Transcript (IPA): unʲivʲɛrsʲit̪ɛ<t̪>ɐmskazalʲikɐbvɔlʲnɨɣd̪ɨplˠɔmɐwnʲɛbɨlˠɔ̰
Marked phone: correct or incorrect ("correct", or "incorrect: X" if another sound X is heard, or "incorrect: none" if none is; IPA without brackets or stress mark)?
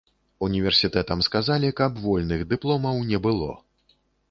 correct